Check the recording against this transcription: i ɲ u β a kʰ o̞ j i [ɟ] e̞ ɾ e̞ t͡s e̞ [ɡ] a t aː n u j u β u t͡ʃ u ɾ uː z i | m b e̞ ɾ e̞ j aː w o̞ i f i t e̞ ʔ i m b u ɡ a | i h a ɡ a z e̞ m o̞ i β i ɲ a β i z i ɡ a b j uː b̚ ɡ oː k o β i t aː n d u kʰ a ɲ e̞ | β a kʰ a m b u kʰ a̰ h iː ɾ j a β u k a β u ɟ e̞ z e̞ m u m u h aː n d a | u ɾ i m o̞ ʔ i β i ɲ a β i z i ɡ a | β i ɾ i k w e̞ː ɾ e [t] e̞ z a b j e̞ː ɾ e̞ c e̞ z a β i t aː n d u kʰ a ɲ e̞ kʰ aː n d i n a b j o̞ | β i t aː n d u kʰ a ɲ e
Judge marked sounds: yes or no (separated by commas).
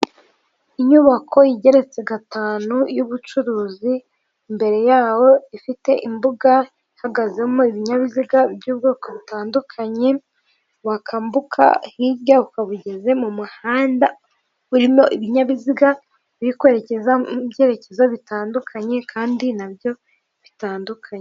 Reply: yes, yes, no